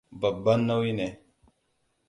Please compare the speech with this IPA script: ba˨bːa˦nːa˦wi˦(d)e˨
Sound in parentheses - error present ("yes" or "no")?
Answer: yes